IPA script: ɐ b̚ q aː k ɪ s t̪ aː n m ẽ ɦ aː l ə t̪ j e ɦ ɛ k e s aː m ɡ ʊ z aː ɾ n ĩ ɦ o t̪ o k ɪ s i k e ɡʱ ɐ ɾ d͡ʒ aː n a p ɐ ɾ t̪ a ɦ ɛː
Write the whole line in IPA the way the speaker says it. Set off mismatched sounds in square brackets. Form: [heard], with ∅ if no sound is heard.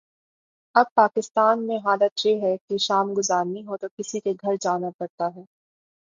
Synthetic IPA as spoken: ɐ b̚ [p] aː k ɪ s t̪ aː n m ẽ ɦ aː l ə t̪ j e ɦ ɛ k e [ʃ] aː m ɡ ʊ z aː ɾ n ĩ ɦ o t̪ o k ɪ s i k e ɡʱ ɐ ɾ d͡ʒ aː n a p ɐ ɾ t̪ a ɦ ɛː